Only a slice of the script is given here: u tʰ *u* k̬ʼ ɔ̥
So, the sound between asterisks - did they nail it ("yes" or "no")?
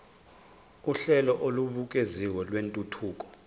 no